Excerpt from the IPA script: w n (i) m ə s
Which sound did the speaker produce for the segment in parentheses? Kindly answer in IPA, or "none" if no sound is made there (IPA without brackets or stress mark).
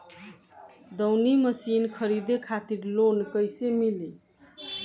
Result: i